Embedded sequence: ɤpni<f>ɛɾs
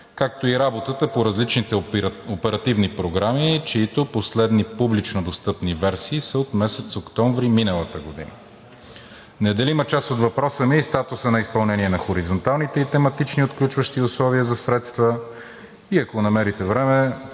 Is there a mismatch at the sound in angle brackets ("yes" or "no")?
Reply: yes